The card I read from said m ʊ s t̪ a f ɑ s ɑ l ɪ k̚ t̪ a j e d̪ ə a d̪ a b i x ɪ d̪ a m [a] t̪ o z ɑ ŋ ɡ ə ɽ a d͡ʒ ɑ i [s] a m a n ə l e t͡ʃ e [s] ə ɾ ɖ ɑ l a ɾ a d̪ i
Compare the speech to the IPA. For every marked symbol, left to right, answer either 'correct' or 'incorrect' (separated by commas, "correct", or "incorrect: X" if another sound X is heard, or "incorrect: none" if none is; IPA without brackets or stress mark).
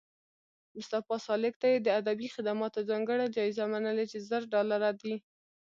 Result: incorrect: ɑ, incorrect: z, incorrect: z